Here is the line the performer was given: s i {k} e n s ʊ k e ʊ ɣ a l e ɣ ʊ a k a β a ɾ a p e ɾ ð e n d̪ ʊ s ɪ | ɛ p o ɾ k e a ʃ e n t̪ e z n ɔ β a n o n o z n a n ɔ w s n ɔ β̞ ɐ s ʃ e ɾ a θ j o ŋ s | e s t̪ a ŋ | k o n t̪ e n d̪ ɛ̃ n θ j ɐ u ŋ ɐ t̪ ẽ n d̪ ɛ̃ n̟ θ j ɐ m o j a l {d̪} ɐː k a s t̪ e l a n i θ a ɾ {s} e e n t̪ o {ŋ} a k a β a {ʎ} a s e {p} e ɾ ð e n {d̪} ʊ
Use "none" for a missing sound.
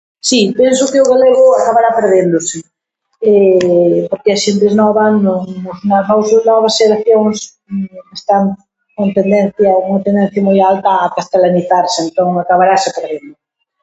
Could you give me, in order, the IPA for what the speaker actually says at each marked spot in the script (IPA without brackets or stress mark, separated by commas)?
p, t̪, s, ŋ, ɾ, p, d̪